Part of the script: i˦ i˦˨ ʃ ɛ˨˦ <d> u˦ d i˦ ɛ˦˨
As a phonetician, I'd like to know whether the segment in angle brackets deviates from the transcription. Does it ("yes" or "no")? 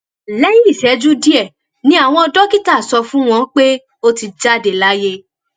yes